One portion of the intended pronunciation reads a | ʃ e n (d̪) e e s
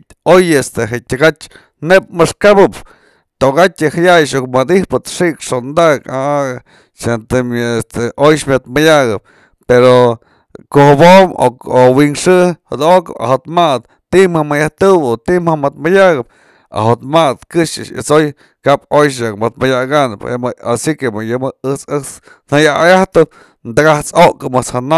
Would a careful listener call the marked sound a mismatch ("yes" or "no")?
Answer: yes